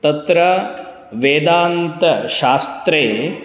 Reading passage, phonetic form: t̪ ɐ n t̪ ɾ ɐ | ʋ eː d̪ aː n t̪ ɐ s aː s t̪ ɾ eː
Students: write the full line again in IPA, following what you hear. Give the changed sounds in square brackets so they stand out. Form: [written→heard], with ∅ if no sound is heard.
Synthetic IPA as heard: t̪ ɐ [n→∅] t̪ ɾ ɐ | ʋ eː d̪ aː n t̪ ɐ [s→ʃ] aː s t̪ ɾ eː